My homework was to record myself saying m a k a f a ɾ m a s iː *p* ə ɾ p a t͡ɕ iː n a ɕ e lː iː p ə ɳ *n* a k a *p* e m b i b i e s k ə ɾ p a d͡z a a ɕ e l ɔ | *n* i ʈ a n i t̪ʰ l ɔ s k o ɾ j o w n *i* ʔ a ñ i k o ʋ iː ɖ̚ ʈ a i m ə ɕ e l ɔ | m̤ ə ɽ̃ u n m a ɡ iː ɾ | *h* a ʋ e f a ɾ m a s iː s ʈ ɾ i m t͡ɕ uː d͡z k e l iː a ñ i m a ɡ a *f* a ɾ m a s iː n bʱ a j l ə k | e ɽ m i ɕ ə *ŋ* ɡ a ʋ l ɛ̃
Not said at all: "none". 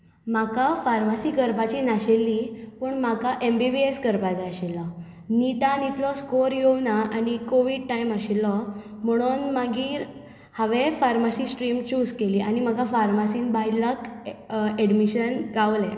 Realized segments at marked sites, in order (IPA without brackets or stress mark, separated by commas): k, m, ʔ, n, a, h, f, n